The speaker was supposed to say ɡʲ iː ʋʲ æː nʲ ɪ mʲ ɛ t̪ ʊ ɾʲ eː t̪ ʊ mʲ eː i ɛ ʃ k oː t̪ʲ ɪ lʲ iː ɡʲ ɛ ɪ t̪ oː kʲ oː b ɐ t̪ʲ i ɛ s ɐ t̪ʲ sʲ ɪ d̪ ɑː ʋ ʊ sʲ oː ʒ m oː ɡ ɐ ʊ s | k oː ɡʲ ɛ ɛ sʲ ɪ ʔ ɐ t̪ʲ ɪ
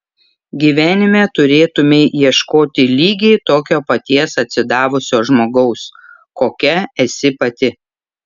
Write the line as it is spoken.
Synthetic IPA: ɡʲ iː ʋʲ æː nʲ ɪ mʲ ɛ t̪ ʊ ɾʲ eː t̪ ʊ mʲ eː i ɛ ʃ k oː t̪ʲ ɪ lʲ iː ɡʲ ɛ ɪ t̪ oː kʲ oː p ɐ t̪ʲ i ɛ s ɐ t̪ʲ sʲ ɪ d̪ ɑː ʋ ʊ sʲ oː ʒ m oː ɡ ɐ ʊ s | k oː kʲ ɛ ɛ sʲ ɪ p ɐ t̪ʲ ɪ